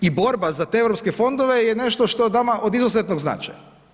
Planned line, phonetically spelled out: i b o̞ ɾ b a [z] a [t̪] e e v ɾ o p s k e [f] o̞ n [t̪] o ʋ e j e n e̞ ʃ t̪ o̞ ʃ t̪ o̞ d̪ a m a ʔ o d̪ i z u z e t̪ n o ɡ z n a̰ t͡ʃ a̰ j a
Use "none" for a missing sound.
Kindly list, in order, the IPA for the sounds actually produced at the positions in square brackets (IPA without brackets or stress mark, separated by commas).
z, t̪, f, d̪